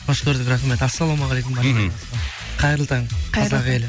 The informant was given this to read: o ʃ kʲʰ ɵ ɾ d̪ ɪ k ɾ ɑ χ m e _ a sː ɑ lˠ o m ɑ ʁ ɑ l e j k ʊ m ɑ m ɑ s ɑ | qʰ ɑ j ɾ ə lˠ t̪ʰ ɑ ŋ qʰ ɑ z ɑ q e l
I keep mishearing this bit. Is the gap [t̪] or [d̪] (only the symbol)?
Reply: t̪